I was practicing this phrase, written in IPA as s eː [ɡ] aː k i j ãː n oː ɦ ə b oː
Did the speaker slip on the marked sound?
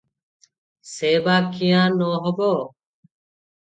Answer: yes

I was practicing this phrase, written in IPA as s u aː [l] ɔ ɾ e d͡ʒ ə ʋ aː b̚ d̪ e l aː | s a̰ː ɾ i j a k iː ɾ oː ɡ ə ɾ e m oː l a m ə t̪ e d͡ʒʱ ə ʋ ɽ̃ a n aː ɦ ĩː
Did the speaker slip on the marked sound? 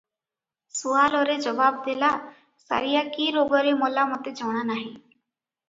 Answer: no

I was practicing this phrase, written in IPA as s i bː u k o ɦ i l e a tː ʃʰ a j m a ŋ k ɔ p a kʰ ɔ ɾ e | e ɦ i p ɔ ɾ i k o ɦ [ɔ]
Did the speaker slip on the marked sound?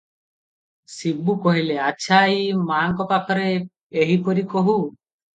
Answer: yes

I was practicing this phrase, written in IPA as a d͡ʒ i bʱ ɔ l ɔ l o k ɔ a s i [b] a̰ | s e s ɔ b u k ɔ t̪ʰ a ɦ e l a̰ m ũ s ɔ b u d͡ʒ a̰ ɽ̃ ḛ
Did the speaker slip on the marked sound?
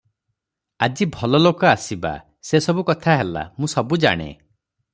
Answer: no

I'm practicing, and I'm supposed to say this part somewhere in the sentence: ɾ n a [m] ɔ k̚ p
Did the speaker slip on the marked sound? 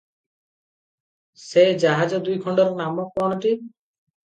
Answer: no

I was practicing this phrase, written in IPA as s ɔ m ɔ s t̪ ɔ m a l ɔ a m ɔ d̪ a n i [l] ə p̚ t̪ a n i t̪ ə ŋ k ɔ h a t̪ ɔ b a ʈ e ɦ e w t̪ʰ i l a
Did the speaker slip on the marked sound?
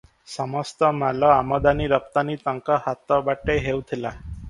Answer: yes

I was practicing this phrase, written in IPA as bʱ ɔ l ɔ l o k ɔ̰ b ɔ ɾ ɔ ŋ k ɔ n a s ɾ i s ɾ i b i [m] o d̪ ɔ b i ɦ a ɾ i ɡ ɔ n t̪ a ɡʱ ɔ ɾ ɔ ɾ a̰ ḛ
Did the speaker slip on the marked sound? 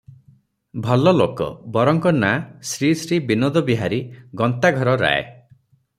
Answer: yes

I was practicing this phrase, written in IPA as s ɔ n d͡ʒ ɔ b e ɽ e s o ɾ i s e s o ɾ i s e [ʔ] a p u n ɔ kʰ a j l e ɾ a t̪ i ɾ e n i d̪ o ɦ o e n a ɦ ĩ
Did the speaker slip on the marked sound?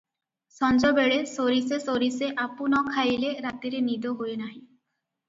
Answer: no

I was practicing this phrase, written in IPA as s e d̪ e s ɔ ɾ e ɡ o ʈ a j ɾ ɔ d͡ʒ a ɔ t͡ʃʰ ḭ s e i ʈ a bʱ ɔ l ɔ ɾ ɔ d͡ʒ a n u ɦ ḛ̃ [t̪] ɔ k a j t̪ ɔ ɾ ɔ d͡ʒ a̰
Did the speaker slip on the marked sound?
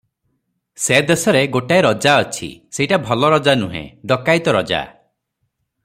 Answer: yes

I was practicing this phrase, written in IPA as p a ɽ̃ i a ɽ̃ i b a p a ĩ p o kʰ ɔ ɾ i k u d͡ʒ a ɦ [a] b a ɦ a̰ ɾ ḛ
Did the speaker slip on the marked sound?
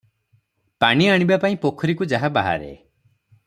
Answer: no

